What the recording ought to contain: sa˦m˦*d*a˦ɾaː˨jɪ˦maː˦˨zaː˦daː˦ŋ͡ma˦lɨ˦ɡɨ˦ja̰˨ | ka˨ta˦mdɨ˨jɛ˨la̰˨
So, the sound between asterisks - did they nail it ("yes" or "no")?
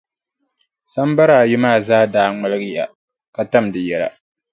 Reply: no